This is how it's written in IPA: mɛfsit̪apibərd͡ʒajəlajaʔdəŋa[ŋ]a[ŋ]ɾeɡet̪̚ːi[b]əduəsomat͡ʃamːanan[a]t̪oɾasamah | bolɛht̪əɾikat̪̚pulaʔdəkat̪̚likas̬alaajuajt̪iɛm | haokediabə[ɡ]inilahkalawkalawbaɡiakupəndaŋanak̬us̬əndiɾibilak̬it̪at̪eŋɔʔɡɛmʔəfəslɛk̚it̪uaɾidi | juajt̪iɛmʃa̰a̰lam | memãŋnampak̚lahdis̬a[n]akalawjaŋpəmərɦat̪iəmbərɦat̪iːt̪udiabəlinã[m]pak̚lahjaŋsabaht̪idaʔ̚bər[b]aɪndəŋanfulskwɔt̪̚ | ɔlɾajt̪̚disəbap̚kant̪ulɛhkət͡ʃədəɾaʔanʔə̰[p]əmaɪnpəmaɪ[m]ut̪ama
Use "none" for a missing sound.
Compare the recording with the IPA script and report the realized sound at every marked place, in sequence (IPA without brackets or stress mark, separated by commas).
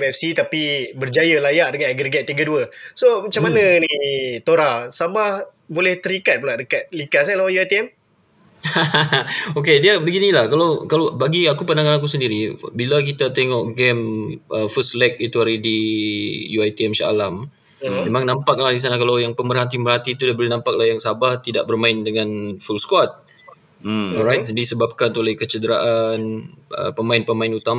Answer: n, ɡ, ɡ, i, ɡ, n, m, m, p, n